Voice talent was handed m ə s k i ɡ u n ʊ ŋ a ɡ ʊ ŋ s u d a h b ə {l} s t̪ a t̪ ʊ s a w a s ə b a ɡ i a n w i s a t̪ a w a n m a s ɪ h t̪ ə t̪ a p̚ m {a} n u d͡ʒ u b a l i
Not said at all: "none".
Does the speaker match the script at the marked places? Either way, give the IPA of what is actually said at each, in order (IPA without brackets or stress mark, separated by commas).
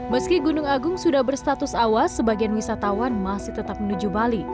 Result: r, ə